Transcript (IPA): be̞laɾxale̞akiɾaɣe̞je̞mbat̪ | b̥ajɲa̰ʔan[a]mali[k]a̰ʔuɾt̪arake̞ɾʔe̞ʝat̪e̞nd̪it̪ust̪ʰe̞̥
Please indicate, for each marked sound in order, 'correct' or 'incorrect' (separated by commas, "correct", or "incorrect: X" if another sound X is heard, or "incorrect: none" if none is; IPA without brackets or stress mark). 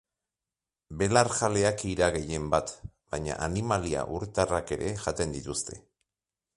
incorrect: i, incorrect: none